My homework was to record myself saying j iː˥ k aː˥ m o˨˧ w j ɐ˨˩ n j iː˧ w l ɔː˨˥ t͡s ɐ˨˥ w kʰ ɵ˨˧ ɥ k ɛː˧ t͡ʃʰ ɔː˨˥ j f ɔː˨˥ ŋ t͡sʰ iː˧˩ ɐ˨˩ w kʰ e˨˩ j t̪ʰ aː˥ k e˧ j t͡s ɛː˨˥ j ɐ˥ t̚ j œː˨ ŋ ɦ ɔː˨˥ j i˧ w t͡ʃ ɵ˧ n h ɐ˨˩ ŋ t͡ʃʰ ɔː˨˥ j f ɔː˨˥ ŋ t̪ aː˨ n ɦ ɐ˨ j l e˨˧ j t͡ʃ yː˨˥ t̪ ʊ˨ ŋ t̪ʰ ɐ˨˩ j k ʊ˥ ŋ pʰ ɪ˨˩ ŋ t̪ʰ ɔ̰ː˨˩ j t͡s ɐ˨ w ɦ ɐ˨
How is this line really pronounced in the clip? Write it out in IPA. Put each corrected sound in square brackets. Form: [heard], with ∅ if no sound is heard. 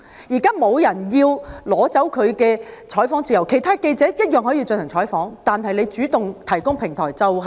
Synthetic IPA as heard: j [iː˨˩] k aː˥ m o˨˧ w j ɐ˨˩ n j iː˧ w l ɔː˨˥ t͡s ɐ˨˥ w kʰ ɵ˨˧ ɥ k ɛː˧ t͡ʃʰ ɔː˨˥ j f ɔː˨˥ ŋ [t͡s] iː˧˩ ɐ˨˩ w kʰ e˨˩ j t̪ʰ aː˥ k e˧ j t͡s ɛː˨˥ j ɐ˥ t̚ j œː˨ ŋ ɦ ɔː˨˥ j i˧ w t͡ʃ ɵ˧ n h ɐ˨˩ ŋ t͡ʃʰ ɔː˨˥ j f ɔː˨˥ ŋ t̪ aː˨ n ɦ ɐ˨ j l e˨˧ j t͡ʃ yː˨˥ t̪ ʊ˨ ŋ t̪ʰ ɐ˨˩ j k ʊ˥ ŋ pʰ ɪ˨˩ ŋ t̪ʰ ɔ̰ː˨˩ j t͡s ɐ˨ w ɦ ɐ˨